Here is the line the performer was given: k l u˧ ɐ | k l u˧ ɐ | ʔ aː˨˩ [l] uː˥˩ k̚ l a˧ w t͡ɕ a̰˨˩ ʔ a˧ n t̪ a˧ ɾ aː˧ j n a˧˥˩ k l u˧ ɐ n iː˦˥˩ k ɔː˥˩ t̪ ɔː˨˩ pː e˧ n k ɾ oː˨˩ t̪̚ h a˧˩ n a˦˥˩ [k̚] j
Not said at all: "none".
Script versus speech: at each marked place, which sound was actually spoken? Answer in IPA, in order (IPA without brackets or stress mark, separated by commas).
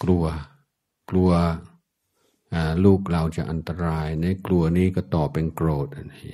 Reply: l, none